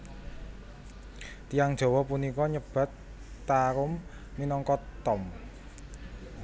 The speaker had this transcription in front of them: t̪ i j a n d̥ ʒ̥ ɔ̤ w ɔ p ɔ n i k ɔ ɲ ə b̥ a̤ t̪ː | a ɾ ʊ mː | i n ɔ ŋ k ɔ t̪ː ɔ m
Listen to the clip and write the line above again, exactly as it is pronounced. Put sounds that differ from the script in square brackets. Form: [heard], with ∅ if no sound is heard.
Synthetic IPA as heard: t̪ i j a [ŋ] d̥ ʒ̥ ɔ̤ w ɔ p [u] n i k ɔ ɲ ə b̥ a̤ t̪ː | a ɾ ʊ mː | i n ɔ ŋ k ɔ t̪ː ɔ m

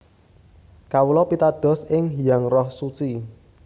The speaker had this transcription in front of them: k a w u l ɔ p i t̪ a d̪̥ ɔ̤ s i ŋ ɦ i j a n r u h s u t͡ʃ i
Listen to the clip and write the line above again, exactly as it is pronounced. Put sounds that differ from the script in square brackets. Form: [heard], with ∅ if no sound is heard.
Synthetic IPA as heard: k a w u l ɔ p i t̪ a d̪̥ ɔ̤ s [ɪ] ŋ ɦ i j a [ŋ] r [ɔ] h s u t͡ʃ i

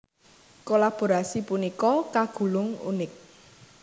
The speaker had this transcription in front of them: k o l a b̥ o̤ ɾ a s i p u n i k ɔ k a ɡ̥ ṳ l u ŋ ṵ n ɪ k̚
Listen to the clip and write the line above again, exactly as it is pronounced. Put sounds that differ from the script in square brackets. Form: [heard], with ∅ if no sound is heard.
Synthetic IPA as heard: k o l a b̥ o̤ ɾ a s i p u n i k ɔ k a ɡ̥ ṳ l [ʊ] ŋ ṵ n ɪ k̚

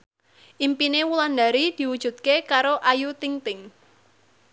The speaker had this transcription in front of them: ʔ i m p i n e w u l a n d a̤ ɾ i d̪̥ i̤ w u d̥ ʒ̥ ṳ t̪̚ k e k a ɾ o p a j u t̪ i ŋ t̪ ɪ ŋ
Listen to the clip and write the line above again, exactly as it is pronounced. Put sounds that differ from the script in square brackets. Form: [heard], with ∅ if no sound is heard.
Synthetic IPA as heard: ʔ i m p i n e w u l a n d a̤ ɾ i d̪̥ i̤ w u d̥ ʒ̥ ṳ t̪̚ k e k a ɾ o [ʔ] a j u t̪ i ŋ t̪ ɪ ŋ

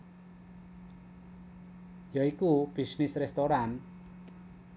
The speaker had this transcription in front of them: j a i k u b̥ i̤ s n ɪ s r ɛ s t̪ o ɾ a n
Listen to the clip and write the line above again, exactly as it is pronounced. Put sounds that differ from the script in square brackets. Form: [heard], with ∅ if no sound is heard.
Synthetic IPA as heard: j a i k u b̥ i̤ s n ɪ s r ɛ s t̪ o ɾ a n

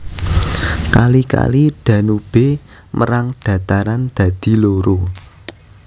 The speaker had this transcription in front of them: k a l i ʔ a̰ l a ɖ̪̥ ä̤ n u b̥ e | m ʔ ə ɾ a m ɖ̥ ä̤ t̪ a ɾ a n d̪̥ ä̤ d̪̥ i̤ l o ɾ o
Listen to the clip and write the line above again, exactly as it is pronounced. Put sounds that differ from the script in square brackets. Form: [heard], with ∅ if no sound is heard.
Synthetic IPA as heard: k a l i [k] a̰ l [i] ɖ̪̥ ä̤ n u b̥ e | m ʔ ə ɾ a [ŋ] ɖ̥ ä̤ t̪ a ɾ a n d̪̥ ä̤ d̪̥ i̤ l o ɾ o

